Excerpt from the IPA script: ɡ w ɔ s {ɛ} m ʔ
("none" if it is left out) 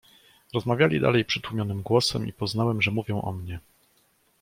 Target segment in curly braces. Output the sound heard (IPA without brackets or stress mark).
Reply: ɛ